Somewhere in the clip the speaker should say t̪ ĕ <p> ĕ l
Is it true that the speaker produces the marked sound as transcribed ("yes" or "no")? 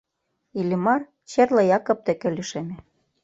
no